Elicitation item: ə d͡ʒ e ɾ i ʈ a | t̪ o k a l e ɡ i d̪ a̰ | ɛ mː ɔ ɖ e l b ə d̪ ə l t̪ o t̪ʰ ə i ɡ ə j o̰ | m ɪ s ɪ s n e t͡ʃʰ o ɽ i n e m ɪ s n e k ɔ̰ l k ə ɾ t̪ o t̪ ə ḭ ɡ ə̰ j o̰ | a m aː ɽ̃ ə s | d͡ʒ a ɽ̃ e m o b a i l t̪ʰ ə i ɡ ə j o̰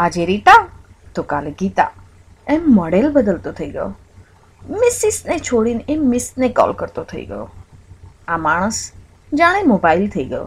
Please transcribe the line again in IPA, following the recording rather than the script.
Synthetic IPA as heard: a d͡ʒ e ɾ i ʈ a | t̪ o k a l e ɡ i t̪ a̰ | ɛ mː ɔ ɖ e l b ə d̪ ə l t̪ o t̪ʰ ə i ɡ ə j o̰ | m ɪ s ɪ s n e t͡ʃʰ o ɽ i n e m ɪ s n e k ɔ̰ l k ə ɾ t̪ o t̪ʰ ə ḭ ɡ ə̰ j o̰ | a m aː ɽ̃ ə s | d͡ʒ a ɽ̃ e m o b a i l t̪ʰ ə i ɡ ə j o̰